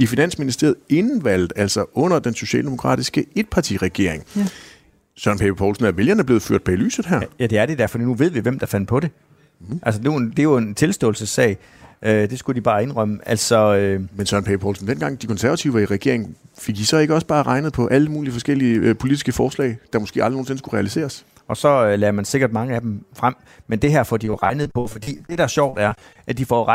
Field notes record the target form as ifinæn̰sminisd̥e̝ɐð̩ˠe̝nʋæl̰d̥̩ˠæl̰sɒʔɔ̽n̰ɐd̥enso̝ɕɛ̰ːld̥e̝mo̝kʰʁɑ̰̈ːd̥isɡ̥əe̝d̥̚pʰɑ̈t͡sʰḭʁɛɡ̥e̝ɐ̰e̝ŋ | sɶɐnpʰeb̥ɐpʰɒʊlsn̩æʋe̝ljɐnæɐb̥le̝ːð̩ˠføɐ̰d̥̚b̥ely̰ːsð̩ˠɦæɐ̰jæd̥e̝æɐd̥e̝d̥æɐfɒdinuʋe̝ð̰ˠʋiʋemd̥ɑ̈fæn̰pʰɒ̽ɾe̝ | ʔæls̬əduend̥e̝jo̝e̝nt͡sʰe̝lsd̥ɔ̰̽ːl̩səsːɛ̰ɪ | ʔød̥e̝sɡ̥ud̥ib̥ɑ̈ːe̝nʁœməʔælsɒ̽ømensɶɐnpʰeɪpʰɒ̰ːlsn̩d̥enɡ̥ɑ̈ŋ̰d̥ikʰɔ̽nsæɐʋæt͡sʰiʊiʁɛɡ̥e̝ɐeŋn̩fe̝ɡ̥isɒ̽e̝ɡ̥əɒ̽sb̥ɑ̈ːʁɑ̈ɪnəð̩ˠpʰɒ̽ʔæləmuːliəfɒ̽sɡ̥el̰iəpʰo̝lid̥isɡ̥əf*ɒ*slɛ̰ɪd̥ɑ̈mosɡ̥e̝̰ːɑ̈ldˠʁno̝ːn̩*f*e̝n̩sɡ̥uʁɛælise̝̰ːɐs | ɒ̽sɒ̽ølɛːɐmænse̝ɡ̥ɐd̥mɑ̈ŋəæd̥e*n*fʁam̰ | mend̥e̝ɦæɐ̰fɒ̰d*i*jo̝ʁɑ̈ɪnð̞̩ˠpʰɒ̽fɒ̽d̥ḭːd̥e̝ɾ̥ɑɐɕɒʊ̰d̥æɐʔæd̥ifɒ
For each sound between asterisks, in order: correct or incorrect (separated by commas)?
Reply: incorrect, incorrect, incorrect, correct